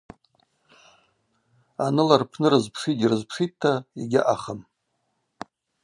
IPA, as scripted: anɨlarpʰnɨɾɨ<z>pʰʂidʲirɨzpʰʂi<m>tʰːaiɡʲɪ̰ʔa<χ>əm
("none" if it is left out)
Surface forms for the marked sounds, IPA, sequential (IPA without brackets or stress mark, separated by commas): z, none, χ